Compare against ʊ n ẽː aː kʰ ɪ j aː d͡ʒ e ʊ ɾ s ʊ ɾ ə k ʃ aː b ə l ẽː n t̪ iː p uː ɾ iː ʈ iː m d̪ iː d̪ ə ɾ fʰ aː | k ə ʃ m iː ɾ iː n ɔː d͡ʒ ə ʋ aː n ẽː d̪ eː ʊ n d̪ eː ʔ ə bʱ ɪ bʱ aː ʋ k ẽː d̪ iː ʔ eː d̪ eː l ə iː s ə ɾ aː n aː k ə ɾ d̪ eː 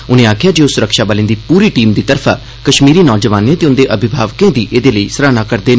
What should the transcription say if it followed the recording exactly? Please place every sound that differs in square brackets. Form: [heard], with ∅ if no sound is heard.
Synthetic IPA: ʊ n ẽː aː kʰ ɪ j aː d͡ʒ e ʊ [∅] s ʊ ɾ ə k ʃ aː b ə l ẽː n [d̪] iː p uː ɾ iː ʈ iː m d̪ iː [t̪] ə ɾ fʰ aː | k ə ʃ m iː ɾ iː n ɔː d͡ʒ ə ʋ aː n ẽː [t̪] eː ʊ n d̪ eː ʔ ə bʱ ɪ bʱ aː ʋ k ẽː d̪ iː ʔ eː d̪ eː l ə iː s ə ɾ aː n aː k ə ɾ d̪ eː